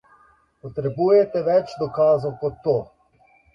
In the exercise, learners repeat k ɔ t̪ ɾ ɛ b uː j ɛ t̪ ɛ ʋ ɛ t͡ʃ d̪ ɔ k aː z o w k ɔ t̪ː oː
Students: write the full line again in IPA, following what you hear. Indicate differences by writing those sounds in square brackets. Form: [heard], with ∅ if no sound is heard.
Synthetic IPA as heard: [p] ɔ t̪ ɾ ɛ b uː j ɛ t̪ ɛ ʋ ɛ t͡ʃ d̪ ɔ k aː z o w k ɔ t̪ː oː